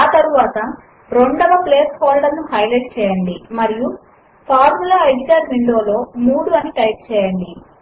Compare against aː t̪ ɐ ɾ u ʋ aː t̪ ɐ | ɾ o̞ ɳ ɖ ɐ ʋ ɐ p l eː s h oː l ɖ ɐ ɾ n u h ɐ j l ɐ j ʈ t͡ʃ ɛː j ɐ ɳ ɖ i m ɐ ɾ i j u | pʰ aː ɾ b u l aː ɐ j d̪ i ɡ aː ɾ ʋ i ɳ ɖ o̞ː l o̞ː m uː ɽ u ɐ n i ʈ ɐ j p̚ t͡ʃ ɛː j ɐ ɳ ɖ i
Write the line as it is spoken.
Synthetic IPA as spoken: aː t̪ ɐ ɾ u ʋ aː t̪ ɐ | ɾ o̞ ɳ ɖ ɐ ʋ ɐ p l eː s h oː l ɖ ɐ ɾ n u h ɐ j l ɐ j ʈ t͡ʃ ɛː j ɐ ɳ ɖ i m ɐ ɾ i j u | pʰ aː ɾ m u l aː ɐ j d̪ i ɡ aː ɾ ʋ i ɳ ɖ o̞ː l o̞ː m uː ɽ u ɐ n i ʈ ɐ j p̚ t͡ʃ ɛː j ɐ ɳ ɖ i

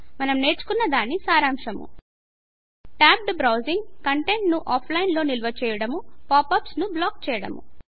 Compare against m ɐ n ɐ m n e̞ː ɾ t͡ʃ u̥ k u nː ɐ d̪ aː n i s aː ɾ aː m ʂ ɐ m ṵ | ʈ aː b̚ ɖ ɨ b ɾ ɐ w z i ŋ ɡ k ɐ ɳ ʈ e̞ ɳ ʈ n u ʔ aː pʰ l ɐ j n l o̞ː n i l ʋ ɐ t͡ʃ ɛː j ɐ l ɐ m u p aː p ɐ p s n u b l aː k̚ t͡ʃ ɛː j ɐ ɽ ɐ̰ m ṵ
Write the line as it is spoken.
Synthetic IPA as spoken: m ɐ n ɐ m n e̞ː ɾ t͡ʃ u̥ k u nː ɐ d̪ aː n i s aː ɾ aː m ʂ ɐ m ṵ | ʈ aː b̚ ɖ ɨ b ɾ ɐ w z i ŋ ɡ k ɐ ɳ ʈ e̞ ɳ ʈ n u ʔ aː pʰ l ɐ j n l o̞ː n i l ʋ ɐ t͡ʃ ɛː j ɐ ɽ ɐ m u p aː p ɐ p s n u b l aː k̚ t͡ʃ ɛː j ɐ ɽ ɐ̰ m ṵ

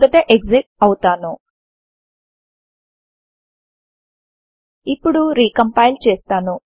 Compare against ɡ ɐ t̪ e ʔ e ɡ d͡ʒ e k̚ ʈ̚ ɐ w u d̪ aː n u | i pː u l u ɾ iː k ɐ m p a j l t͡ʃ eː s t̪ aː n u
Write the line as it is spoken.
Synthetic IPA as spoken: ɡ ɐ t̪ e ʔ e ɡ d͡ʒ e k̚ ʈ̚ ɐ w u t̪ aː n u | i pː u ɽ u ɾ iː k ɐ m p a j l t͡ʃ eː s t̪ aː n u

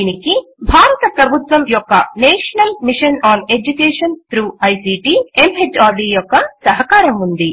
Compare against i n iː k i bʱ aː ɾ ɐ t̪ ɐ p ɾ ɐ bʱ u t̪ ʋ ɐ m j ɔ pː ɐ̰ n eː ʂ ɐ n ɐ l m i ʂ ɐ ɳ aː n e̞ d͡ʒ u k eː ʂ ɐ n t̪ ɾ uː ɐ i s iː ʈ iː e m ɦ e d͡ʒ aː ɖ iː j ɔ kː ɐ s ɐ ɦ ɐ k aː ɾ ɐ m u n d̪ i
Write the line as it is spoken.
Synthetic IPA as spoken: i n i k i bʱ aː ɾ ɐ t̪ ɐ p ɾ ɐ bʱ u t̪ ʋ ɐ m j ɔ kː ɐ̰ n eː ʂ ɐ n ɐ l m i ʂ ɐ n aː n e̞ d͡ʒ u k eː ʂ ɐ n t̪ ɾ uː ɐ j s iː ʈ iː e m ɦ e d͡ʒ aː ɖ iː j ɔ kː ɐ s ɐ ɦ ɐ k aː ɾ ɐ m u n d̪ i

